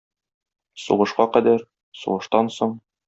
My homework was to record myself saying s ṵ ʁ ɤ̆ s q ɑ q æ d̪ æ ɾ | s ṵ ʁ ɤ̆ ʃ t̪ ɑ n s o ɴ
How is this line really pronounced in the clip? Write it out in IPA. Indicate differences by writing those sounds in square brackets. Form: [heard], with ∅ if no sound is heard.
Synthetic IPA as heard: s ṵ ʁ ɤ̆ [ʃ] q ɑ q æ d̪ æ ɾ | s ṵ ʁ ɤ̆ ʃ t̪ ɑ n s o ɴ

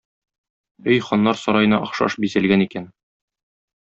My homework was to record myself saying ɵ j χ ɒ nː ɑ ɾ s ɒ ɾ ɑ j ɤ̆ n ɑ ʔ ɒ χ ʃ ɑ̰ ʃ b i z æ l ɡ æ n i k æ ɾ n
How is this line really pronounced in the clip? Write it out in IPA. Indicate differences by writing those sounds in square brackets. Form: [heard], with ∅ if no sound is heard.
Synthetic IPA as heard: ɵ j χ ɒ nː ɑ ɾ s ɒ ɾ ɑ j ɤ̆ n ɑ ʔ ɒ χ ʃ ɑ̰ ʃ b i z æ l ɡ æ n i k æ [∅] n

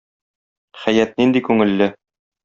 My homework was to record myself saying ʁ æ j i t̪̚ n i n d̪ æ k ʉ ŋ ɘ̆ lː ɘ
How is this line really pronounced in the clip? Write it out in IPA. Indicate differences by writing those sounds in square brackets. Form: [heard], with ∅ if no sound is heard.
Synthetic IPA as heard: [χ] æ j [æ] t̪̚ n i n d̪ [i] k ʉ ŋ ɘ̆ lː ɘ

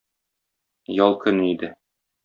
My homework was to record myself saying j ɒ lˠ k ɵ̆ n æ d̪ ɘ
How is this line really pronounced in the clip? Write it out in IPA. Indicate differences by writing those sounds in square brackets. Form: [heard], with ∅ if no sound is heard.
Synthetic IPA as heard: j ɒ lˠ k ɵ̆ n [i] d̪ ɘ

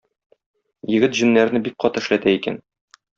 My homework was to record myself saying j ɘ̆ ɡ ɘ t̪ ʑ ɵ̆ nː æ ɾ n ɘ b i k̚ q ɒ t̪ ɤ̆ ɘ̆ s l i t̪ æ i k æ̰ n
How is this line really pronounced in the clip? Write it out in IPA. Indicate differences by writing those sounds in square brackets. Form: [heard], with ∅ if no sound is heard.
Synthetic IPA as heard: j ɘ̆ ɡ ɘ t̪ ʑ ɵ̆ nː æ ɾ n ɘ b i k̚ q ɒ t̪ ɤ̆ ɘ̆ [ʃ] l [æ] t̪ æ i k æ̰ n

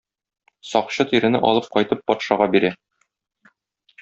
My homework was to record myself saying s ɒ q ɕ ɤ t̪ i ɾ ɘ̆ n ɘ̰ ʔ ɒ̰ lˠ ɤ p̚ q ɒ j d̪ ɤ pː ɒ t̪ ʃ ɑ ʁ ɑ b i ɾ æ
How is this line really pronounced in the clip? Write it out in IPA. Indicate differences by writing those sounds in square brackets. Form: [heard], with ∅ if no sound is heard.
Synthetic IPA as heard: s ɒ q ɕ ɤ t̪ i ɾ ɘ̆ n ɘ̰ ʔ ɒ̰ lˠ ɤ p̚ q ɒ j [t̪] ɤ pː ɒ t̪ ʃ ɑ ʁ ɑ b i ɾ æ

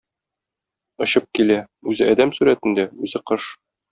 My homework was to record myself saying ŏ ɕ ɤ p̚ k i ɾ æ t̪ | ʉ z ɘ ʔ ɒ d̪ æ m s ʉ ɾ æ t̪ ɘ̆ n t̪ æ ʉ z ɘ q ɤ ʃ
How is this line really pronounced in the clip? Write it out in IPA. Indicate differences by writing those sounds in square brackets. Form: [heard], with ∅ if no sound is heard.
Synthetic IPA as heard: ŏ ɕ ɤ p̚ k i [l] æ [∅] | ʉ z ɘ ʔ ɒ d̪ æ m s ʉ ɾ æ t̪ ɘ̆ n [d̪] æ ʉ z ɘ q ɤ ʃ

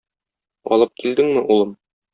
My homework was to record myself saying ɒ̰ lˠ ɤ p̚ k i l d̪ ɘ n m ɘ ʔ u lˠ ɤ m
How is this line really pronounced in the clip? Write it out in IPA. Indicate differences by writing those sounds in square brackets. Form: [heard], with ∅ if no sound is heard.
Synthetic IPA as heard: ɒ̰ lˠ ɤ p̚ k i l d̪ ɘ [ŋ] m ɘ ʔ u lˠ ɤ m

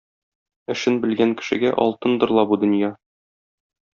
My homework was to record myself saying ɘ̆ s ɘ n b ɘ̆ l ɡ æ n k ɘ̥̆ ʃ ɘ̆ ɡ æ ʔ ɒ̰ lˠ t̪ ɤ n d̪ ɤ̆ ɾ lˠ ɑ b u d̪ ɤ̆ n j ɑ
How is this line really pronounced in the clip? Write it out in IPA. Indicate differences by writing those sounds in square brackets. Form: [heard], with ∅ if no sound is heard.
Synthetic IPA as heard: ɘ̆ [ʃ] ɘ n b ɘ̆ l ɡ æ [ŋ] k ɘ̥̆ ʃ ɘ̆ ɡ æ ʔ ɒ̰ lˠ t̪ ɤ n d̪ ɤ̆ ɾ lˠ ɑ b u d̪ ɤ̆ n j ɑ

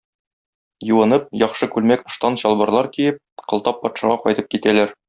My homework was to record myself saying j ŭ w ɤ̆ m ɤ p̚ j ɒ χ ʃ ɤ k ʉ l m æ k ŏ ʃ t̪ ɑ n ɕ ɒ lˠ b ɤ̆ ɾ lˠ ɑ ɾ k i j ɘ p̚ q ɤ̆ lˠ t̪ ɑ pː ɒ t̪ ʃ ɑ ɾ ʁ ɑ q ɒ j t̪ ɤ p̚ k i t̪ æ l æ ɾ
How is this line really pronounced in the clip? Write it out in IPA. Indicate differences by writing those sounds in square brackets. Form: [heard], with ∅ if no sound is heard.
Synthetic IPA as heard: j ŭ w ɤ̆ [n] ɤ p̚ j ɒ χ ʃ ɤ k ʉ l m æ k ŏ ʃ t̪ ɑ n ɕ ɒ lˠ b ɤ̆ ɾ lˠ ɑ ɾ k i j ɘ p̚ q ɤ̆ lˠ t̪ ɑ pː ɒ t̪ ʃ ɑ [∅] ʁ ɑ q ɒ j t̪ ɤ p̚ k i t̪ æ l æ ɾ

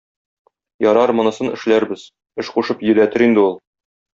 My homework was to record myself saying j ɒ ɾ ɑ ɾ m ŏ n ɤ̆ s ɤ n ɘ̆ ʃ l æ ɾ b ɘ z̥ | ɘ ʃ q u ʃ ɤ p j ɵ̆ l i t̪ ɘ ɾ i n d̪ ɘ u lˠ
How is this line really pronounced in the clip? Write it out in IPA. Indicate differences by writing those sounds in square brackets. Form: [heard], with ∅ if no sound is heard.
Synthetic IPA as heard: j ɒ ɾ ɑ ɾ m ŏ n ɤ̆ s ɤ n ɘ̆ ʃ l æ ɾ b ɘ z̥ | ɘ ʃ q u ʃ ɤ p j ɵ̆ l [æ] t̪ ɘ ɾ i n d̪ ɘ u lˠ

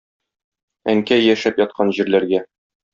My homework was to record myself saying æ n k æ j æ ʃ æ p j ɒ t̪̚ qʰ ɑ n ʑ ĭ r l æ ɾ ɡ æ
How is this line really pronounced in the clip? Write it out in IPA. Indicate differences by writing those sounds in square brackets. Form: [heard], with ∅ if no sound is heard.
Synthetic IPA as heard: æ [ŋ] k æ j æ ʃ æ p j ɒ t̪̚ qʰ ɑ n ʑ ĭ [ɾ] l æ ɾ ɡ æ

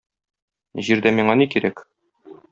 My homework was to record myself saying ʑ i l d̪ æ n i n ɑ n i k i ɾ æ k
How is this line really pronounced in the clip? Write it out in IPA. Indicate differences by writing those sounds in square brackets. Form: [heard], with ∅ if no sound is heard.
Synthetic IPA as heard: ʑ i [ɾ] d̪ æ [m] i [ɴ] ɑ n i k i ɾ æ k

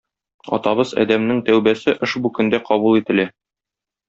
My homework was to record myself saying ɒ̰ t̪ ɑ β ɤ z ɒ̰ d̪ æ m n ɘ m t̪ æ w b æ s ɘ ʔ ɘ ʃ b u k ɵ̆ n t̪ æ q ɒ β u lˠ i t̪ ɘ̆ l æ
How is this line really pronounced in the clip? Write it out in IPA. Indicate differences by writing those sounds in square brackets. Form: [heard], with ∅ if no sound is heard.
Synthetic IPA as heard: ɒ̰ t̪ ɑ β ɤ z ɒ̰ d̪ æ m n ɘ [ŋ] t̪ æ w b æ s ɘ ʔ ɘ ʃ b u k ɵ̆ n [d̪] æ q ɒ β u lˠ i t̪ ɘ̆ l æ

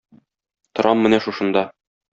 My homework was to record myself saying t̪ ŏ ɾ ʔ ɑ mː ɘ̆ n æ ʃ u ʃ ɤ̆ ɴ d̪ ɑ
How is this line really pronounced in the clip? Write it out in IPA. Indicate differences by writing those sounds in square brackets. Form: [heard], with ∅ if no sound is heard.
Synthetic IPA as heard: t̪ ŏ ɾ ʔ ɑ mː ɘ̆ n æ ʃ u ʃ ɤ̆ [n] d̪ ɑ

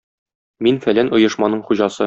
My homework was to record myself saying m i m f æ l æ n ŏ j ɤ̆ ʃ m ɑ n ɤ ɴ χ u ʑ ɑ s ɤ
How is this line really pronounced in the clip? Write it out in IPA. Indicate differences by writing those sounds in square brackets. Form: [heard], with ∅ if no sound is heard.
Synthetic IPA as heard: m i [n] f æ l æ n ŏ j ɤ̆ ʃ m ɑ n ɤ ɴ χ u ʑ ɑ s ɤ

